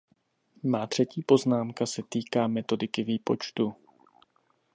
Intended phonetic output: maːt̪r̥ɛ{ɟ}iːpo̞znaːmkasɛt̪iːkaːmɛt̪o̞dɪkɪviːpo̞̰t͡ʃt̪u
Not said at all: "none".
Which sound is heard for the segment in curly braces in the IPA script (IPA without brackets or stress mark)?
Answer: c